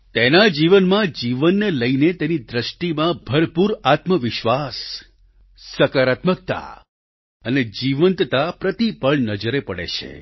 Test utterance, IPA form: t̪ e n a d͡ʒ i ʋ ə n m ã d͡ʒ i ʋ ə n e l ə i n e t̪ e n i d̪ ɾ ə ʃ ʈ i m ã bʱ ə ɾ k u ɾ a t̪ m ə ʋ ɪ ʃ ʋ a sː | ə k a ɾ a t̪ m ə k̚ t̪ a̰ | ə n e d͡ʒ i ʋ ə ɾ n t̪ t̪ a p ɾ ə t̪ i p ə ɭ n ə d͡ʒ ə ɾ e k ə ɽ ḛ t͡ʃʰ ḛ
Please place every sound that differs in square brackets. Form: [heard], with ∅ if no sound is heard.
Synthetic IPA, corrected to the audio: t̪ e n a d͡ʒ i ʋ ə n m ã d͡ʒ i ʋ ə [nː] e l ə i n e t̪ e n i d̪ ɾ ə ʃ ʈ i m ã bʱ ə ɾ [p] u ɾ a t̪ m ə ʋ ɪ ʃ ʋ a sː | ə k a ɾ a t̪ m ə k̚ t̪ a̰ | ə n e d͡ʒ i ʋ ə [∅] n t̪ t̪ a p ɾ ə t̪ i p ə ɭ n ə d͡ʒ ə ɾ e [p] ə ɽ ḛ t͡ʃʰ ḛ